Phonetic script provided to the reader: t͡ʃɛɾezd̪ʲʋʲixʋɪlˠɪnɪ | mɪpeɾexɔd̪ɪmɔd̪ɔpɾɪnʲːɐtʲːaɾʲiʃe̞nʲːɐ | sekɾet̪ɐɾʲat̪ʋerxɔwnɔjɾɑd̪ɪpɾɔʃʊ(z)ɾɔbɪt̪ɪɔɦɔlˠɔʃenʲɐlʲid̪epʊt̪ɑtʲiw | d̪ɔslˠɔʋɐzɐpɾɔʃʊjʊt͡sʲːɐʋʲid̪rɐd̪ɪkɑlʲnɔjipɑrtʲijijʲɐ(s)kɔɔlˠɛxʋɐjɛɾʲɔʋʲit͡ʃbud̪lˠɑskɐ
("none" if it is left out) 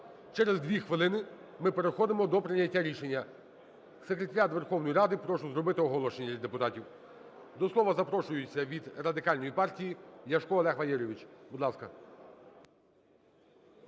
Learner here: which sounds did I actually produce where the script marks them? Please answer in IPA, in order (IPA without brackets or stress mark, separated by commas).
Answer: z, ʃ